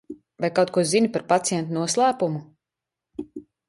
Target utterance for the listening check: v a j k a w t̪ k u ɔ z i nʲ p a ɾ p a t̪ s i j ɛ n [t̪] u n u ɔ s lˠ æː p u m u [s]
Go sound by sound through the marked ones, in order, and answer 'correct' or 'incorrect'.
correct, incorrect: none

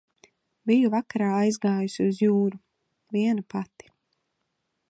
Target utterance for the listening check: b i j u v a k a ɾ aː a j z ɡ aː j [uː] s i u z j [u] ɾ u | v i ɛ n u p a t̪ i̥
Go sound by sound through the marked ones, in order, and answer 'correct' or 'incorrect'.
incorrect: u, incorrect: uː

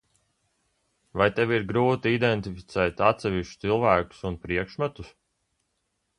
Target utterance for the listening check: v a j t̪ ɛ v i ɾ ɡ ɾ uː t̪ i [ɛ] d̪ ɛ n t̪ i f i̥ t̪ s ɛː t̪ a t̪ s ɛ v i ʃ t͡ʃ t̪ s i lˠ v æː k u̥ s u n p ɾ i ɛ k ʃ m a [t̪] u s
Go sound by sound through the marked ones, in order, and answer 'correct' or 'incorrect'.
incorrect: i, correct

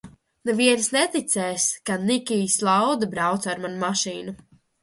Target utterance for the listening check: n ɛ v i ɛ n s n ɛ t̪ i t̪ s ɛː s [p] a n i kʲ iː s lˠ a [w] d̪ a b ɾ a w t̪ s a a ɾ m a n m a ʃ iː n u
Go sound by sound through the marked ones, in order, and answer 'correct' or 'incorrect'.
incorrect: k, correct

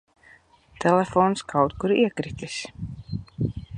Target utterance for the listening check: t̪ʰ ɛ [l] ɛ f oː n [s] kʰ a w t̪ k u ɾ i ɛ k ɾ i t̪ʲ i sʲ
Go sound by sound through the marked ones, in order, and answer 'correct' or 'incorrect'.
correct, correct

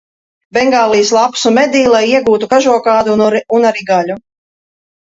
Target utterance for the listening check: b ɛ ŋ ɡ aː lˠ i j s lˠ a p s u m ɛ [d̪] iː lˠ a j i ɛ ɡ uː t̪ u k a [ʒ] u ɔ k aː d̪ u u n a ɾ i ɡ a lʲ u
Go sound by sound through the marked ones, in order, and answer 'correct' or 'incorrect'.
correct, correct

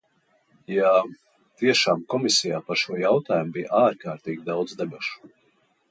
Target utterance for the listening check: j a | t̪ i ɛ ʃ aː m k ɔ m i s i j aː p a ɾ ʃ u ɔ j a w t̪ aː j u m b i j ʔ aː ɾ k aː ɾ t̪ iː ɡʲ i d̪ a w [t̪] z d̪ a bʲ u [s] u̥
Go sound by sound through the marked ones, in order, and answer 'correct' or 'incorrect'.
incorrect: d̪, incorrect: ʃ

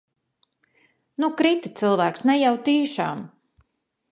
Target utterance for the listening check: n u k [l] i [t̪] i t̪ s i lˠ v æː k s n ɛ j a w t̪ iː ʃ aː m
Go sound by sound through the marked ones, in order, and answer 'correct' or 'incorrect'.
incorrect: ɾ, correct

